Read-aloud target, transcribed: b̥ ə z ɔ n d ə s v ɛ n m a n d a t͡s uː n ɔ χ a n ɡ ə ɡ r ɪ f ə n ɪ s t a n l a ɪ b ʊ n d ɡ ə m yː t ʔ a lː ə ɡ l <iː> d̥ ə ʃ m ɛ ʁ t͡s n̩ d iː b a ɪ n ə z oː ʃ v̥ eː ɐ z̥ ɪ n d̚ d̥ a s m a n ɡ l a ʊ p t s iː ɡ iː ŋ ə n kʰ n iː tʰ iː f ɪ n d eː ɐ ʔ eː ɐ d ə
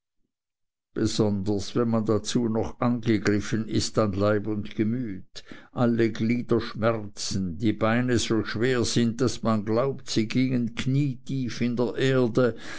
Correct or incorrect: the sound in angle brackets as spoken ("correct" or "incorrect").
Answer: correct